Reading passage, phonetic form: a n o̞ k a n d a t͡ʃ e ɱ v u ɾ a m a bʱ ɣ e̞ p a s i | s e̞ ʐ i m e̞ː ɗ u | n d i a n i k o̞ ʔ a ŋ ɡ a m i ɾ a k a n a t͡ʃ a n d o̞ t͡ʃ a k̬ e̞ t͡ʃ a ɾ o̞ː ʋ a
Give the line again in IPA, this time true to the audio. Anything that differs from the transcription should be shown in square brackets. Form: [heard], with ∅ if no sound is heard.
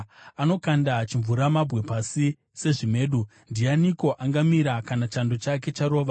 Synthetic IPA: a n o̞ k a n d a t͡ʃ [i] ɱ v u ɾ a m a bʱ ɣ e̞ p a s i | s e̞ ʐ i m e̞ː ɗ u | n d i a n i k o̞ ʔ a ŋ ɡ a m i ɾ a k a n a t͡ʃ a n d o̞ t͡ʃ a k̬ e̞ t͡ʃ a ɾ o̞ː ʋ a